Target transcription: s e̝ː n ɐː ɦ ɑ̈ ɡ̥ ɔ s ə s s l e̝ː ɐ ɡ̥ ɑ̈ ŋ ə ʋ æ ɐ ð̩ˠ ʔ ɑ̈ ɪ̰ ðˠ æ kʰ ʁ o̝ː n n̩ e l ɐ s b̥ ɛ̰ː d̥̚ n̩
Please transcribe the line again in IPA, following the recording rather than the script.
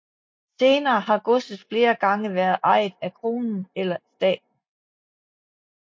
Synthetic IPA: s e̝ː n ɐː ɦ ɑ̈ ɡ̥ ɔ s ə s f l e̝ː ɐ ɡ̥ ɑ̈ ŋ ə ʋ æ ɐ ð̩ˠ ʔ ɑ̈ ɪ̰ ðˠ æ kʰ ʁ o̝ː n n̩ e l ɐ s d̥ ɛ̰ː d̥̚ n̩